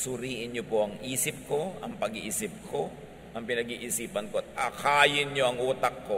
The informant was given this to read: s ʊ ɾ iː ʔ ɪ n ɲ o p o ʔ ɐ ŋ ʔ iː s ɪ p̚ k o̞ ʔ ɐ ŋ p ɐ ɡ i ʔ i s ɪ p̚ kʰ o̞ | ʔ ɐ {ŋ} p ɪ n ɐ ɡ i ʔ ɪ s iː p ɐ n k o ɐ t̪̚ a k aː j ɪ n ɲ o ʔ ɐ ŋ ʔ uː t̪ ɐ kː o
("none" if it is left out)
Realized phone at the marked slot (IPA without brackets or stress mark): ŋ